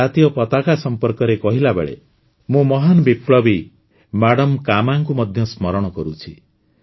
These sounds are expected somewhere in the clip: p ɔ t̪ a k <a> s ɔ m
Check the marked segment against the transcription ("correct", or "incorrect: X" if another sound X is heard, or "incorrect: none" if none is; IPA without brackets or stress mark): correct